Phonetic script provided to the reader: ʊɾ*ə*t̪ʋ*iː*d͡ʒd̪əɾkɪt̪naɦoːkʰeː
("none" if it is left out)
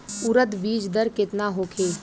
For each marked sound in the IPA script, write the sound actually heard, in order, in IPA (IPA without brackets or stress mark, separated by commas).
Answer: ə, iː